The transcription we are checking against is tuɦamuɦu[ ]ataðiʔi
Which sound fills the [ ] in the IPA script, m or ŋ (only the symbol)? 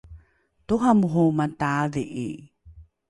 m